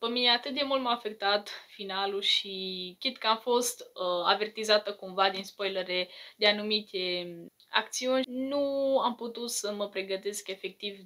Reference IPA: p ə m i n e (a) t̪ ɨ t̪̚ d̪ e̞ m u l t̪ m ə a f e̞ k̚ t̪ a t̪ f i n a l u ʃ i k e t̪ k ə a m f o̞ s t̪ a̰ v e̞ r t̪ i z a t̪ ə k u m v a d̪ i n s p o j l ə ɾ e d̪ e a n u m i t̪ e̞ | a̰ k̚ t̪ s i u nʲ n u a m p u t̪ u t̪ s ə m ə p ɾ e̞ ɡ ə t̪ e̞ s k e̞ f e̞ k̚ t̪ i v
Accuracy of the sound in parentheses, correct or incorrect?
correct